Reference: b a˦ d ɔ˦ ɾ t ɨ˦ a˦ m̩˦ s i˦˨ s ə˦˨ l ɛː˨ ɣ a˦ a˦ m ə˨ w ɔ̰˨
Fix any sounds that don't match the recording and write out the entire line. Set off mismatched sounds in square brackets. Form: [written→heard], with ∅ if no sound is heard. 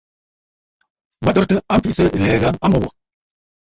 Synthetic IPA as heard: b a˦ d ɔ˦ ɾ t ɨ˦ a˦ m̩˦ [s→f] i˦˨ s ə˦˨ l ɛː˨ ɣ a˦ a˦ m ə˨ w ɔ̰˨